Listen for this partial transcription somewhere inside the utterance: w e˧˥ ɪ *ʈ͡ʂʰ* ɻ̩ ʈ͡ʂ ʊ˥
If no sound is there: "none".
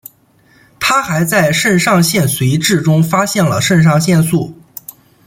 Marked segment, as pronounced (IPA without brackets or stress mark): ʈ͡ʂ